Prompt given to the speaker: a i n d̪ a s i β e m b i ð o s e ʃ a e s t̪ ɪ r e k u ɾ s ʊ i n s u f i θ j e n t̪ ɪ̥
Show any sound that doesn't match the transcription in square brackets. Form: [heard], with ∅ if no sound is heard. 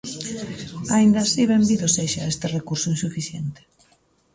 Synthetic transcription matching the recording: a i n d̪ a s i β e m b i ð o s e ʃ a e s t̪ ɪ r e k u ɾ s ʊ i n s u f i θ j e n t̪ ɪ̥